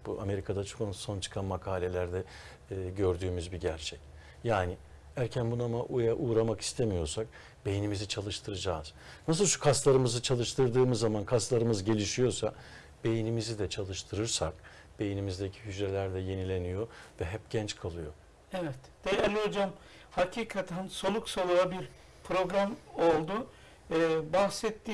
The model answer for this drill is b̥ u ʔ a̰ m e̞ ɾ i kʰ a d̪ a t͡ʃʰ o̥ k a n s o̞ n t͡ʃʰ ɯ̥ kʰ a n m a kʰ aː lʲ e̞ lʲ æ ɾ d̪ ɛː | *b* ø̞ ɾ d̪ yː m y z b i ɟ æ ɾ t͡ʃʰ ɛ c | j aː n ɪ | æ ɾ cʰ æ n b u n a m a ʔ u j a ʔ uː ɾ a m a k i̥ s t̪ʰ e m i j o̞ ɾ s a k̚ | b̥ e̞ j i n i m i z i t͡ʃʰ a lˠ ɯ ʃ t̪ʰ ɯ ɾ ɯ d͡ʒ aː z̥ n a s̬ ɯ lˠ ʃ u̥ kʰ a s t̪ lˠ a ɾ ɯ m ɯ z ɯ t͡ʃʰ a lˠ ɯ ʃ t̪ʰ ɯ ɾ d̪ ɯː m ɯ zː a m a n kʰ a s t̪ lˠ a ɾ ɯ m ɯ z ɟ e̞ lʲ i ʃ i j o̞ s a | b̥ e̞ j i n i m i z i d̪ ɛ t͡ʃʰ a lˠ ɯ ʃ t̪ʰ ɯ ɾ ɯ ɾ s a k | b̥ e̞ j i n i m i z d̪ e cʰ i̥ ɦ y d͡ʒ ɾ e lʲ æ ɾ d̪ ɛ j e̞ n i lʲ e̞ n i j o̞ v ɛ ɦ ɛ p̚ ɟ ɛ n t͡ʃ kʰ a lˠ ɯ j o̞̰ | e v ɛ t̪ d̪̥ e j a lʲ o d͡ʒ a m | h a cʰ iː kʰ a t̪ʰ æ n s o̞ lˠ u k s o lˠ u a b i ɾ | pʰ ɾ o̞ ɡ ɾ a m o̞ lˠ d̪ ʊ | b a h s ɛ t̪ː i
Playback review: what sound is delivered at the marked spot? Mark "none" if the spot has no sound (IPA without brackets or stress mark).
ɟ